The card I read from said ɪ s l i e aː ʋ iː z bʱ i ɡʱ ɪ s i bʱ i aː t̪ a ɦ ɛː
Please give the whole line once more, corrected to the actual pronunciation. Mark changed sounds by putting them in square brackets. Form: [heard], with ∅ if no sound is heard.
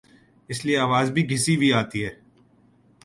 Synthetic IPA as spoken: ɪ s l i e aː ʋ [aː] z bʱ i ɡʱ ɪ s i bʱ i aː t̪ [i] ɦ ɛː